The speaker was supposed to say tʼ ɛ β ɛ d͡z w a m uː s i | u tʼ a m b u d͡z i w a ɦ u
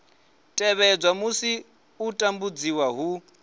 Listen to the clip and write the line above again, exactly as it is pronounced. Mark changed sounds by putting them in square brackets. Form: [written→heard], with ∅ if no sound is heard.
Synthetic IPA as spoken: tʼ ɛ β ɛ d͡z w a m [uː→u] s i | u tʼ a m b u d͡z i w a ɦ u